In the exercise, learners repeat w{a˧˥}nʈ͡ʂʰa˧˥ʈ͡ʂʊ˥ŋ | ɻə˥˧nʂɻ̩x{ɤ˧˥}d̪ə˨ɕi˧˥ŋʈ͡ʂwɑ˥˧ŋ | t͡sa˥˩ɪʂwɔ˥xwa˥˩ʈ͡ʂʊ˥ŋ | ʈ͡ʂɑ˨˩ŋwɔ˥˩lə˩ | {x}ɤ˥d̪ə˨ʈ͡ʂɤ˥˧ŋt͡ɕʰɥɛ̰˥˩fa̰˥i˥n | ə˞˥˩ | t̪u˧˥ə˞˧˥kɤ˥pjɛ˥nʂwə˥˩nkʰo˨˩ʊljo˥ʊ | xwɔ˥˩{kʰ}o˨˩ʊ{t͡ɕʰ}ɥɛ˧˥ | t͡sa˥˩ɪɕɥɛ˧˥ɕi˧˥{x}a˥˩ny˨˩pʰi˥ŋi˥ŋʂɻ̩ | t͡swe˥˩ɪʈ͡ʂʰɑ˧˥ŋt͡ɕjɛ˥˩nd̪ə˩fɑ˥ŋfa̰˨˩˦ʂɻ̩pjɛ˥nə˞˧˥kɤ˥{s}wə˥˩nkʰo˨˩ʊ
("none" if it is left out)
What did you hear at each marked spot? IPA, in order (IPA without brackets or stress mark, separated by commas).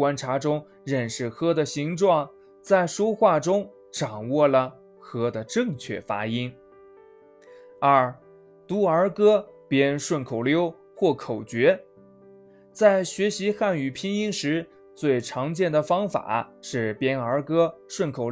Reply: a˥, ɤ˥, x, kʰ, t͡ɕ, x, ʂ